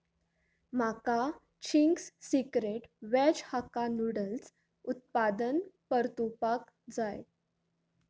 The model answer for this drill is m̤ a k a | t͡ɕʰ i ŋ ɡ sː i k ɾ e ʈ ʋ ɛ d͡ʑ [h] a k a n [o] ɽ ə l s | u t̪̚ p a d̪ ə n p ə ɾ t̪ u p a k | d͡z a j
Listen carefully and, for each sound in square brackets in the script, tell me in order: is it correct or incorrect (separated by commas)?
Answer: correct, incorrect